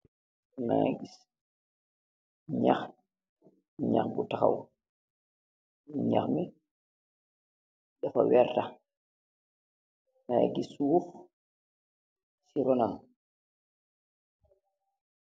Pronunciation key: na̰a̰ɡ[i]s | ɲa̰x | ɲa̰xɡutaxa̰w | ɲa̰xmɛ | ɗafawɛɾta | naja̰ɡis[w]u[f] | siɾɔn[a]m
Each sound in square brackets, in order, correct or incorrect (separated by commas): correct, correct, correct, correct